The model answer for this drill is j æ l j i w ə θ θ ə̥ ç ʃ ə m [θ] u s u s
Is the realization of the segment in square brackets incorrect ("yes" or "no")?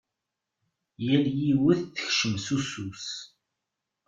yes